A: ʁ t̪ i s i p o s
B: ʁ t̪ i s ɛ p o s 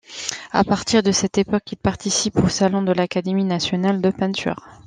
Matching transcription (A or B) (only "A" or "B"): A